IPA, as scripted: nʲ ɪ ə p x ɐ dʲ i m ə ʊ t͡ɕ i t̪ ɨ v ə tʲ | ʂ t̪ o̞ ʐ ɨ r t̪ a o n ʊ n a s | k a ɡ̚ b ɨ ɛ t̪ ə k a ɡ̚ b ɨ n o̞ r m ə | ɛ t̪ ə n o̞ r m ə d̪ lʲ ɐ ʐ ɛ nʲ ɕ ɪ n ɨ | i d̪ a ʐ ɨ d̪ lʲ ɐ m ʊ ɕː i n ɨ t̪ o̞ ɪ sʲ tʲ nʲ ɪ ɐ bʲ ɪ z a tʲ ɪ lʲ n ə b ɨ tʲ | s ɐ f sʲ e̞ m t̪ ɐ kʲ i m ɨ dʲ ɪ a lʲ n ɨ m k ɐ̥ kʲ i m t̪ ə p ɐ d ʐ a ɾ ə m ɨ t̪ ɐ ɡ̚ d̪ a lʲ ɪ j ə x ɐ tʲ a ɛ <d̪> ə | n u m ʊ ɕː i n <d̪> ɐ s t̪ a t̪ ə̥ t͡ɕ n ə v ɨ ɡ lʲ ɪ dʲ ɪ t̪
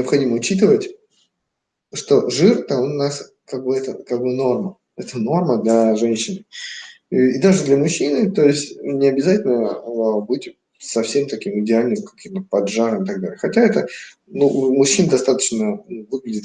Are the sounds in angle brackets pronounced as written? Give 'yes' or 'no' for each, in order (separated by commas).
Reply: no, yes